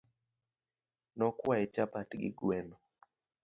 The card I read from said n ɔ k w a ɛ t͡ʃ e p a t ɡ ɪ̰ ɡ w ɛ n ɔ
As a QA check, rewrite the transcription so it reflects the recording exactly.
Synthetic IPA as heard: n ɔ k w a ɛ t͡ʃ a p a t ɡ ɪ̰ ɡ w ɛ n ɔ